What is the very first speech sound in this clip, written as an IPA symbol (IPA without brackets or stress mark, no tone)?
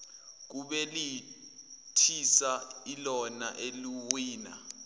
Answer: k̬